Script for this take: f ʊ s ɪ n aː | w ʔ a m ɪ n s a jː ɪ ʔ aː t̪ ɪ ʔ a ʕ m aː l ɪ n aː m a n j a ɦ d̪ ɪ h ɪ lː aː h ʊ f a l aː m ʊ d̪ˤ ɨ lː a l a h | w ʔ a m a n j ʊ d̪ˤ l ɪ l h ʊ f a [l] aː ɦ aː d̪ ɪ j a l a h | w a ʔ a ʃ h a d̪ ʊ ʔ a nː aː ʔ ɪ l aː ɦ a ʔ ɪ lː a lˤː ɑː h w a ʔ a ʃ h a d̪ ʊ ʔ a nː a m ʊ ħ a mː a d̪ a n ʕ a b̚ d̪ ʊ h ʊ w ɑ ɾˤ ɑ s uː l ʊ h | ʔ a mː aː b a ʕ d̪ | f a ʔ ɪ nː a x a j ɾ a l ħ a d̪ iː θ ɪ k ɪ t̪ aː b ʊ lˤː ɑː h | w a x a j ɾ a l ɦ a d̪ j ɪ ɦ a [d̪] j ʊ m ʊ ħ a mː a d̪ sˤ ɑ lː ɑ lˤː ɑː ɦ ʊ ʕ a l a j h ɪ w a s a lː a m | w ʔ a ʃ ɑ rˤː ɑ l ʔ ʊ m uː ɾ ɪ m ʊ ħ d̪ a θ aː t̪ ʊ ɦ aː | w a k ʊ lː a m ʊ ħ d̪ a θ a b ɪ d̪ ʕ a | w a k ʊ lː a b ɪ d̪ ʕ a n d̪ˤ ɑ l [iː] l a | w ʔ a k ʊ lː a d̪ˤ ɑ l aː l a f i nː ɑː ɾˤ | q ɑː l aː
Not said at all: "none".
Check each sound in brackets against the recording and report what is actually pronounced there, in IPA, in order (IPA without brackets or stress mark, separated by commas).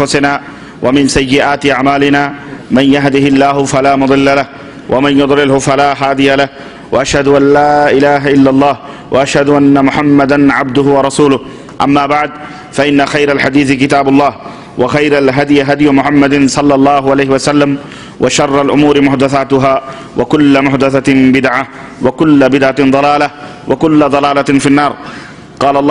l, d̪, aː